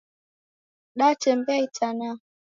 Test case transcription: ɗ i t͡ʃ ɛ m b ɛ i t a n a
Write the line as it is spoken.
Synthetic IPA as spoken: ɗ a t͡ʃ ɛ m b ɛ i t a n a